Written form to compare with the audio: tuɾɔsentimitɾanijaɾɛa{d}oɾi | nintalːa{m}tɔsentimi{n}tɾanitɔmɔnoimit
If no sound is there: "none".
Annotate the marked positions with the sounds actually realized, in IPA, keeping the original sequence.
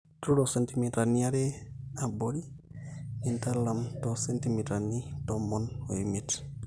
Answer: b, m, none

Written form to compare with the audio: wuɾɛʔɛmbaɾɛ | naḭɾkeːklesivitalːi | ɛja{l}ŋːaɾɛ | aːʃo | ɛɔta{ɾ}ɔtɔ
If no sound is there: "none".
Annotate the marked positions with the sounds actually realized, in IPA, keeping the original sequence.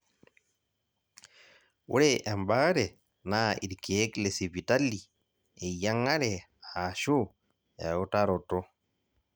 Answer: none, ɾ

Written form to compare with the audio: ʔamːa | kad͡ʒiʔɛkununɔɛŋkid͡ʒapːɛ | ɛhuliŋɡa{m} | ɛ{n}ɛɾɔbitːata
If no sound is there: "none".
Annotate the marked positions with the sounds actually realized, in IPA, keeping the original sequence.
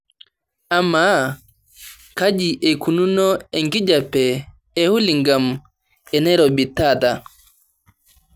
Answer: m, n

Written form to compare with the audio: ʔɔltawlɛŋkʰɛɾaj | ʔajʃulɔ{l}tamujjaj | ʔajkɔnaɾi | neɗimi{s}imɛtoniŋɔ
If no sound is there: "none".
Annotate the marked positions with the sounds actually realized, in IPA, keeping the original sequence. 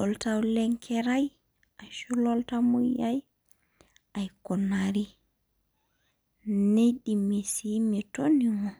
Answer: l, s

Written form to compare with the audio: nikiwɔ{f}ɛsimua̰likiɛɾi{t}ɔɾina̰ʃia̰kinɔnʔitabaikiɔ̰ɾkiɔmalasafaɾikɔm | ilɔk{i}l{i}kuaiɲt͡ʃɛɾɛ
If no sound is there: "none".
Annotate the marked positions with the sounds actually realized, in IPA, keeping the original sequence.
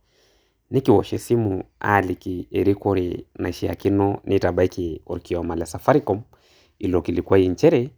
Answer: ʃ, k, i, i

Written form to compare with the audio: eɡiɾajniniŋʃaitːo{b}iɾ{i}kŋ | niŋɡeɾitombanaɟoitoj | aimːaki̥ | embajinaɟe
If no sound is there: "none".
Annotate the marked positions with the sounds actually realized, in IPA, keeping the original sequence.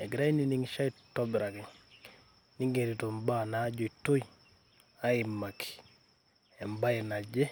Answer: b, a

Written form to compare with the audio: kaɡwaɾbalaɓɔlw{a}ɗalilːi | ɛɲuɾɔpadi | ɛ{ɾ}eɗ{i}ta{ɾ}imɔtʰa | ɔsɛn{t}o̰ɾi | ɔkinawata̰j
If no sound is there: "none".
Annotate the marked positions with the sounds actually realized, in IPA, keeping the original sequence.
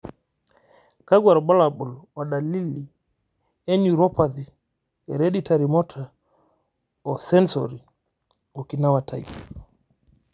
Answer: a, ɾ, i, ɾ, s

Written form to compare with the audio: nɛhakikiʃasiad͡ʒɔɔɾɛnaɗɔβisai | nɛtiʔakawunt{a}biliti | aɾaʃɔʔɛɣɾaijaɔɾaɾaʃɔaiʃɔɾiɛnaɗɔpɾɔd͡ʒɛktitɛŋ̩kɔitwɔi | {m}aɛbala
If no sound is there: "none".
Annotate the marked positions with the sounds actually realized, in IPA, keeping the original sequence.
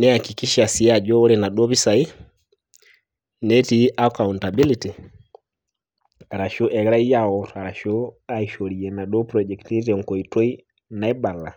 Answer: a, n

